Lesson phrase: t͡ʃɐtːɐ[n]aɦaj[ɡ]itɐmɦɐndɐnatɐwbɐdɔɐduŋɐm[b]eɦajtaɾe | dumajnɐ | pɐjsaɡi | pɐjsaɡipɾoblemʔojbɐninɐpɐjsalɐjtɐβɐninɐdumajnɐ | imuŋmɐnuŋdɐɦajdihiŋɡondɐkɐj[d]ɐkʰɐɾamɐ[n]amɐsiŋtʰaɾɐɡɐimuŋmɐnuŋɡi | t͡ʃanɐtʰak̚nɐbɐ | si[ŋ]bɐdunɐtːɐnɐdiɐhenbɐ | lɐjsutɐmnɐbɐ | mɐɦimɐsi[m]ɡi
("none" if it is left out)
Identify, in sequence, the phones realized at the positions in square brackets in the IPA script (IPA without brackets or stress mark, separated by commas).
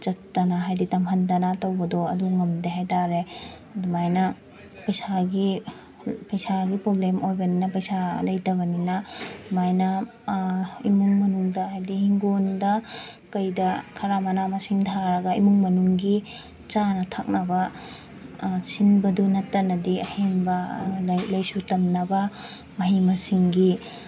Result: n, d, d, d, n, n, ŋ